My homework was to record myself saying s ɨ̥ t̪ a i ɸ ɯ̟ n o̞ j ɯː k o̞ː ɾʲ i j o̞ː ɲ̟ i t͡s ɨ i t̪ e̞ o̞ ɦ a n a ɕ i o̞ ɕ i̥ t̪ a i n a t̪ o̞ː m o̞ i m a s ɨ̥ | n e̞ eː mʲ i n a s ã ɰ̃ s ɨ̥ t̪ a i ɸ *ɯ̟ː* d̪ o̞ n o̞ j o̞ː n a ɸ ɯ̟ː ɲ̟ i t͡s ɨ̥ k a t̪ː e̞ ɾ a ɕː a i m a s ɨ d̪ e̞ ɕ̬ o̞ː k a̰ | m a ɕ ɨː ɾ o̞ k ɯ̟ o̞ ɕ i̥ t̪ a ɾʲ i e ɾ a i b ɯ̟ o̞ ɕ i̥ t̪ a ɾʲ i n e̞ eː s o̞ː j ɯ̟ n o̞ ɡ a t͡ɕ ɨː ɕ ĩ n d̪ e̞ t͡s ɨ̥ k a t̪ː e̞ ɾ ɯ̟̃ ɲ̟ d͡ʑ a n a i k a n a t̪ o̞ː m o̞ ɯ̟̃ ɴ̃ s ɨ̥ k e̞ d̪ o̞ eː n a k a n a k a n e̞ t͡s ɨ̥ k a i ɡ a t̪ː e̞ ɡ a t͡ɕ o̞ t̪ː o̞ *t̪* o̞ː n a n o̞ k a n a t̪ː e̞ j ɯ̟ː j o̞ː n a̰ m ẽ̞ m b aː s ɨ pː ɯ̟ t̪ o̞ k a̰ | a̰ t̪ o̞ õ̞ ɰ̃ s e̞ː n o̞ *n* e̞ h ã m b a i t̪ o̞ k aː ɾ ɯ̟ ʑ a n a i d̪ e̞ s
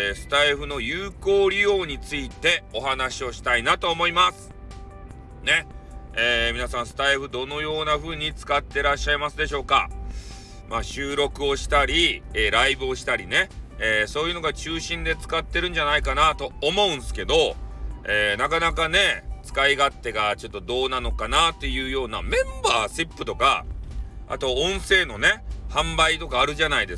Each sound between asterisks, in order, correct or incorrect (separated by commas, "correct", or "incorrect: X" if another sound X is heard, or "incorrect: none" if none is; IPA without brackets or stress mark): incorrect: ɯ̟, incorrect: d̪, correct